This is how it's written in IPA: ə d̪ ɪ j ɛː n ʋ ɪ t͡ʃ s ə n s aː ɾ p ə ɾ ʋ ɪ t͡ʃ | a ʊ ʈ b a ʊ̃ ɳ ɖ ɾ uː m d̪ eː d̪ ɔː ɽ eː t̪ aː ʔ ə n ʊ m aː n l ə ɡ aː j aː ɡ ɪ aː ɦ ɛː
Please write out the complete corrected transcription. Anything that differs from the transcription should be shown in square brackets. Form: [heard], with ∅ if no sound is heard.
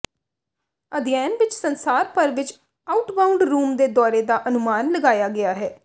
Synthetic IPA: ə d̪ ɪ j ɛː n ʋ ɪ t͡ʃ s ə n s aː ɾ p ə ɾ ʋ ɪ t͡ʃ | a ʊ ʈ b a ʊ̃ ɳ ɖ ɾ uː m d̪ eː d̪ ɔː [ɾ] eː [d̪] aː ʔ ə n ʊ m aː n l ə ɡ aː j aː ɡ ɪ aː ɦ ɛː